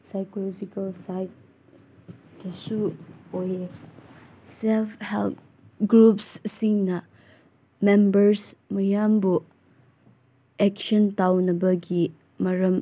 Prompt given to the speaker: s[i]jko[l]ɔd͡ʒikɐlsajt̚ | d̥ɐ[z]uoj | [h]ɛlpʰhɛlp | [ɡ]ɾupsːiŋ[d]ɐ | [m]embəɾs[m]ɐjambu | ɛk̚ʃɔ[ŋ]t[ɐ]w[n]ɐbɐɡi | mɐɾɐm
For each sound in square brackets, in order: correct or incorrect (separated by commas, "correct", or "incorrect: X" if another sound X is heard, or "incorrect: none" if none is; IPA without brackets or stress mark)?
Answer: incorrect: a, correct, incorrect: s, incorrect: s, correct, incorrect: n, correct, correct, incorrect: n, incorrect: a, correct